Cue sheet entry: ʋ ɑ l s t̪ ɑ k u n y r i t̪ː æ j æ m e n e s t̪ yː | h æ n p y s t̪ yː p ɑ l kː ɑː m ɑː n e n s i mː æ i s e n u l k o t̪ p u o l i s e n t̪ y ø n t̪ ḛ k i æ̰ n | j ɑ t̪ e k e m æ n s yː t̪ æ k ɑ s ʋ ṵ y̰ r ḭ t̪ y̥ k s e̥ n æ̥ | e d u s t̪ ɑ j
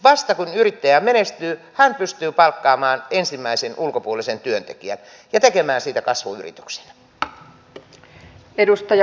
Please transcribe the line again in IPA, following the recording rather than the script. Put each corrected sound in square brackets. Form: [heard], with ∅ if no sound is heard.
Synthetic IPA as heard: ʋ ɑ [∅] s t̪ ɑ k u n y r i t̪ː æ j æ m e n e s t̪ yː | h æ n p y s t̪ yː p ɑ l kː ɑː m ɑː n e n s i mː æ i s e n u l k o [∅] p u o l i s e n t̪ y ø n t̪ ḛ k i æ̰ n | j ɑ t̪ e k e m [æː] n s [iː] t̪ æ k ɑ s ʋ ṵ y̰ r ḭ t̪ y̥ k s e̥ n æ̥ | e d u s t̪ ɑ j